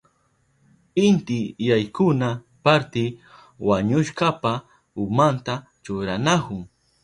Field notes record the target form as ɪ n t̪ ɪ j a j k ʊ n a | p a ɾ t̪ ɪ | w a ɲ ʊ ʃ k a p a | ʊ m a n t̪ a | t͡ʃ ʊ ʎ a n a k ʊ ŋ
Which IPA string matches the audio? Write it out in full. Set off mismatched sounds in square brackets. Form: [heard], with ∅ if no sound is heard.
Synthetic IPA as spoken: ɪ n t̪ ɪ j a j k ʊ n a | p a ɾ t̪ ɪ | w a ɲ ʊ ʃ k a p a | ʊ m a n t̪ a | t͡ʃ ʊ [ɾ] a n a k ʊ ŋ